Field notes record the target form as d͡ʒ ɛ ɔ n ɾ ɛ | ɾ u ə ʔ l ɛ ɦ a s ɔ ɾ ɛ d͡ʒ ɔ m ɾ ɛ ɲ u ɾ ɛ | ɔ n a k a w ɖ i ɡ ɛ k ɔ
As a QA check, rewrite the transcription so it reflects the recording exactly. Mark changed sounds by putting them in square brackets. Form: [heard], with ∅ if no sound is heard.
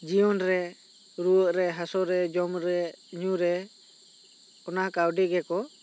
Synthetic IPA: d͡ʒ [i] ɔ n ɾ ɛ | ɾ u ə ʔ [ɾ] ɛ ɦ a s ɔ ɾ ɛ d͡ʒ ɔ m ɾ ɛ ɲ u ɾ ɛ | ɔ n a k a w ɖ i ɡ ɛ k ɔ

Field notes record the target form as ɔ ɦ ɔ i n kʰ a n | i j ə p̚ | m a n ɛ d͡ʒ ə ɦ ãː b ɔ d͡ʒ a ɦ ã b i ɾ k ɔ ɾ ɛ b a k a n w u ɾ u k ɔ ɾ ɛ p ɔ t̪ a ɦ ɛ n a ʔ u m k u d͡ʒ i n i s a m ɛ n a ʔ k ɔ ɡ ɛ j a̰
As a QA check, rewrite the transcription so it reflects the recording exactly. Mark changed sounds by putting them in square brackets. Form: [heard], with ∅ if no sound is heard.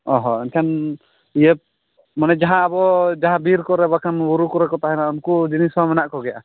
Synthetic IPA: ɔ ɦ ɔ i n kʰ a n | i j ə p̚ | m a n ɛ d͡ʒ [a] ɦ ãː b ɔ d͡ʒ a ɦ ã b i ɾ k ɔ ɾ ɛ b a k a n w u ɾ u k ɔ ɾ ɛ [k] ɔ t̪ a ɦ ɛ n a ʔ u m k u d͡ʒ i n i s a m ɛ n a ʔ k ɔ ɡ ɛ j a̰

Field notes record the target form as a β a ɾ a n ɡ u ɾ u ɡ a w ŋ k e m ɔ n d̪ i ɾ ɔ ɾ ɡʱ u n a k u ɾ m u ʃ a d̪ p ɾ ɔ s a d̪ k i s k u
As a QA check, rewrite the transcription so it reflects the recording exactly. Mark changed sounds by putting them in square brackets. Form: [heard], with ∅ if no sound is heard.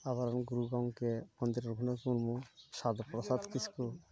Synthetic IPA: a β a ɾ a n ɡ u ɾ u ɡ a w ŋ k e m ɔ n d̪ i ɾ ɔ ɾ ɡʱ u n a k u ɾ m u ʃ a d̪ p ɾ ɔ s a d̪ k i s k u

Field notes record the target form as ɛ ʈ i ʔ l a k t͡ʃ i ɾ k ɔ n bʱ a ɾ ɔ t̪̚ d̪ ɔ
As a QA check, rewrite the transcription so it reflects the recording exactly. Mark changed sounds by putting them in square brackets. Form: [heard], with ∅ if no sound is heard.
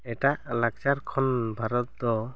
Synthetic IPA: ɛ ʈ [a] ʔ l a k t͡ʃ [a] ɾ [kʰ] ɔ n bʱ a ɾ ɔ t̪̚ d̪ ɔ

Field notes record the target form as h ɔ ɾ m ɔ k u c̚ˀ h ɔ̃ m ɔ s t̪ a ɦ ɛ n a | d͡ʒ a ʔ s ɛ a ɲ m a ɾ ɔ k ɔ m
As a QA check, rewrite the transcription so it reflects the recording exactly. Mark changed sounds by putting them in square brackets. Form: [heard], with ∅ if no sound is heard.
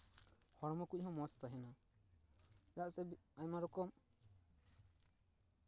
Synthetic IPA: h ɔ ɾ m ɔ k u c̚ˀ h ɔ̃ m ɔ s t̪ a ɦ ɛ n a | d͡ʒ a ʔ s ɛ a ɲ m a ɾ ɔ k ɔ m

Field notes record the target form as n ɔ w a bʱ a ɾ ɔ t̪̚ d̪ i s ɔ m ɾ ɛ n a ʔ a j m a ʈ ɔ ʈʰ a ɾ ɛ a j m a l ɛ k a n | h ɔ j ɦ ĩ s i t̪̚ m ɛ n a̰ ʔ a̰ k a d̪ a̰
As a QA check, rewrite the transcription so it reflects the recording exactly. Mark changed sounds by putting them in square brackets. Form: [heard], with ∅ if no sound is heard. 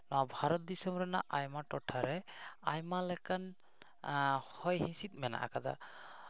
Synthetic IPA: n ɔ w a bʱ a ɾ ɔ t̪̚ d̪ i s ɔ m ɾ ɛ n a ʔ a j m a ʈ ɔ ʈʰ a ɾ ɛ a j m a l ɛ k a n | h ɔ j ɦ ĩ s i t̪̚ m ɛ n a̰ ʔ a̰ k a d̪ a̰

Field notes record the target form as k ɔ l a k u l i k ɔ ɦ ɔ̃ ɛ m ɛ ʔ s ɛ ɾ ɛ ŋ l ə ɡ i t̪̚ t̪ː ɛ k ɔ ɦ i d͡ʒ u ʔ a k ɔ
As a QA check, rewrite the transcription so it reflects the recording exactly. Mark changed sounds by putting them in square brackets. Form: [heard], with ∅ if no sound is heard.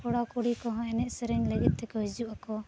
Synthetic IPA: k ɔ [ɽ] a k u [ɽ] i k ɔ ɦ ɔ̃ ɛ [n] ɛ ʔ s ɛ ɾ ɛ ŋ l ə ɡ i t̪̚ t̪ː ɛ k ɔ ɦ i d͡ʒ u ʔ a k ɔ

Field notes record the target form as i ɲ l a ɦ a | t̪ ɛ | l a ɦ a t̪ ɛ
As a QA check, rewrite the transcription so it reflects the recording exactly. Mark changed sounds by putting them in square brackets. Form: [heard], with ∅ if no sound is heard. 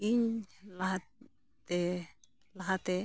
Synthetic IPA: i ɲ l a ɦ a | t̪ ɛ | l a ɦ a t̪ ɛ

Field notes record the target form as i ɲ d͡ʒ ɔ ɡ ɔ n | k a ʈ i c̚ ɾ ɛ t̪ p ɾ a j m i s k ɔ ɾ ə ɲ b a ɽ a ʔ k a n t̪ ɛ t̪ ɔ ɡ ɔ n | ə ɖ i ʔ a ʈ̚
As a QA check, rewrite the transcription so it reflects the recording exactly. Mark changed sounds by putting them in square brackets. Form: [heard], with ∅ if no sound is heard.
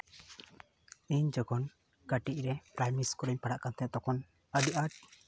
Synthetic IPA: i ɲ d͡ʒ ɔ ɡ ɔ n | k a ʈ i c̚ ɾ ɛ [∅] p ɾ a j m i s k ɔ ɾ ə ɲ [p] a ɽ a ʔ k a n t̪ ɛ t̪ ɔ [k] ɔ n | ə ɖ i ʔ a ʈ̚

